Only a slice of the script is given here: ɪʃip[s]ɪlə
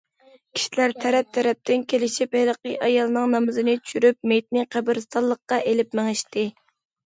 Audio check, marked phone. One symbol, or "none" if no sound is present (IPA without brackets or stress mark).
h